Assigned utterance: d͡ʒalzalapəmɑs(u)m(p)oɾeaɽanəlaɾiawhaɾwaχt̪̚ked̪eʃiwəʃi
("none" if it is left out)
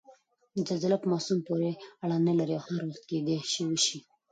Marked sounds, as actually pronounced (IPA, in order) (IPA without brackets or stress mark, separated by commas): u, p